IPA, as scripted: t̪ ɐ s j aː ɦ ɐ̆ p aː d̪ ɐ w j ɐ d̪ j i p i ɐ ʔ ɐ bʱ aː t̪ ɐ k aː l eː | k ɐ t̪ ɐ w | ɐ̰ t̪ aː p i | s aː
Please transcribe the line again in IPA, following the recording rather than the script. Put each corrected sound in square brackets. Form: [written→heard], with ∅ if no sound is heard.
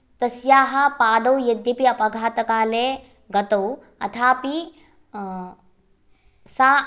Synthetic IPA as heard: t̪ ɐ s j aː ɦ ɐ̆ p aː d̪ ɐ w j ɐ d̪ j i p i ɐ [ʔ→p] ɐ [bʱ→ɡʱ] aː t̪ ɐ k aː l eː | [k→ɡ] ɐ t̪ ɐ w | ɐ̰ [t̪→t̪ʰ] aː p i | s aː